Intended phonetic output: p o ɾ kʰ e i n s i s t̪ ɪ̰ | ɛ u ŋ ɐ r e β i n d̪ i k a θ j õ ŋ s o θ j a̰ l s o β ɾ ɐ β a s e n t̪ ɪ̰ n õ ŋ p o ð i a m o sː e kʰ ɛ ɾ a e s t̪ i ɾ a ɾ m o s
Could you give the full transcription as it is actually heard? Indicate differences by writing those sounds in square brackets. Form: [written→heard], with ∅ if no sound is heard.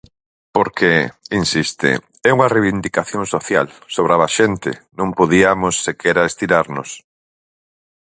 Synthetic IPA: p o ɾ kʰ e i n s i s t̪ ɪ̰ | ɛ u ŋ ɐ r e β i n d̪ i k a θ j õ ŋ s o θ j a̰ l s o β ɾ [ɐ→a] β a [s→ʃ] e n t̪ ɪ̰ n õ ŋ p o ð i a m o sː e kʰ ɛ ɾ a e s t̪ i ɾ a ɾ [m→n] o s